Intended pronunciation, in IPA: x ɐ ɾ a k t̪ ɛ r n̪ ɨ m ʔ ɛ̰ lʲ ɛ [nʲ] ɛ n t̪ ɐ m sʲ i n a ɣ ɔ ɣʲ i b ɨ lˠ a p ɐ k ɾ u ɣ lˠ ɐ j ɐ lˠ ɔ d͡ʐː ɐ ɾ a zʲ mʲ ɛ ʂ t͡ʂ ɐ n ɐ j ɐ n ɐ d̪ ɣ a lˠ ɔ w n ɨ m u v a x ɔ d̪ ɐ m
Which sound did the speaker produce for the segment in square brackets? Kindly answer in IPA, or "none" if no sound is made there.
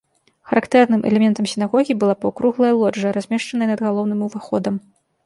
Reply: mʲ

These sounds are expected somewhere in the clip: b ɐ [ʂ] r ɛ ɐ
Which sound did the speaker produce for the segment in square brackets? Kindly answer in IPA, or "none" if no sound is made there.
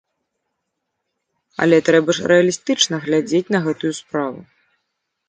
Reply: ʂ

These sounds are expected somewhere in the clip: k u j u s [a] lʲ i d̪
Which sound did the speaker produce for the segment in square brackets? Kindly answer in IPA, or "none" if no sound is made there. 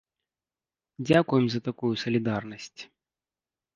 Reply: ɐ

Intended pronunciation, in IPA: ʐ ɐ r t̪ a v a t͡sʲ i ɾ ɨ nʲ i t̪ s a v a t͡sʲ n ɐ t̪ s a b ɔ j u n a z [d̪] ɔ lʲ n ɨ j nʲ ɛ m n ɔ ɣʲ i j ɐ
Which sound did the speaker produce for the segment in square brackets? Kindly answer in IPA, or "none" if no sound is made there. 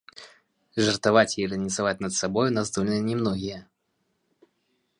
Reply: d̪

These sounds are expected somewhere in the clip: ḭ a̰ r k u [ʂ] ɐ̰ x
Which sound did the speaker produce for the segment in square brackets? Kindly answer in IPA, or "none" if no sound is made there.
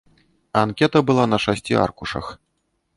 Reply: ʂ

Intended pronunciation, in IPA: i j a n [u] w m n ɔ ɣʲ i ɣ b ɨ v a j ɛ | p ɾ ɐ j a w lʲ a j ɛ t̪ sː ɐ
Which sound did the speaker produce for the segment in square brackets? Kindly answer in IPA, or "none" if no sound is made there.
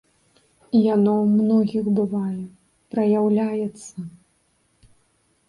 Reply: ɔ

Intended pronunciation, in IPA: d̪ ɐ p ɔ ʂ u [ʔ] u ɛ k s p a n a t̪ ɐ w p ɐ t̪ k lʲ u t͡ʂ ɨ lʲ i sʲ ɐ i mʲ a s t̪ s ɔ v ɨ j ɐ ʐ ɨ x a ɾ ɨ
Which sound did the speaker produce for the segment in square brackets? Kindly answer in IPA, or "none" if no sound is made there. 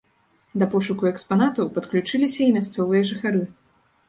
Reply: k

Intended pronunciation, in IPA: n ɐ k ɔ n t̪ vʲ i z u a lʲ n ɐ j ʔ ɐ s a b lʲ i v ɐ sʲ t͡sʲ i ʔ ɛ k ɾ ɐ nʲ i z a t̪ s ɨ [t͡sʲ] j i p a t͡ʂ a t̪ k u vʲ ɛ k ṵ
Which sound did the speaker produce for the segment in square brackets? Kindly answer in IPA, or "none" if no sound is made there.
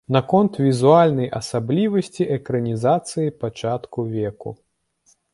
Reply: none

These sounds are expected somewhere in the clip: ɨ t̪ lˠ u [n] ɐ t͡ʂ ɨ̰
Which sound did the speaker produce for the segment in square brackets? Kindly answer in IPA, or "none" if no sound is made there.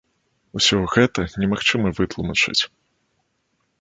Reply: m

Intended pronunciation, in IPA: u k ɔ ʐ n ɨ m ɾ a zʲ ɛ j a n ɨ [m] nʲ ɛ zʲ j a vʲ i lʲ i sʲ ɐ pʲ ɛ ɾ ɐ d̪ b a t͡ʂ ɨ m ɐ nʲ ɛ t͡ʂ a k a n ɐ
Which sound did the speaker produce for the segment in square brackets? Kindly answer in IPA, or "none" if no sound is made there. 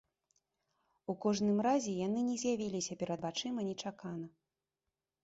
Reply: none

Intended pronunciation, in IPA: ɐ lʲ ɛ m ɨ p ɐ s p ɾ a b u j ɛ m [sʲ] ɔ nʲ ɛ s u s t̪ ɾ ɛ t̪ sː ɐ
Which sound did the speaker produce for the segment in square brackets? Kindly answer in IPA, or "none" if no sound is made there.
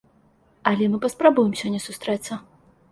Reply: sʲ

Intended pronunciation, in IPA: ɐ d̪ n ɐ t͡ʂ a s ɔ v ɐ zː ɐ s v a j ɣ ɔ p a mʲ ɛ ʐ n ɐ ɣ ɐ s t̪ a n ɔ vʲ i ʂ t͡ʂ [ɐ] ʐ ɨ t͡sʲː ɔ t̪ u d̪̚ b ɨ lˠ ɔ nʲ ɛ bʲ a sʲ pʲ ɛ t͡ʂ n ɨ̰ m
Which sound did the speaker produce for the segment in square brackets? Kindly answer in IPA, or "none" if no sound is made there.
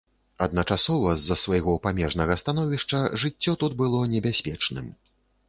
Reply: ɐ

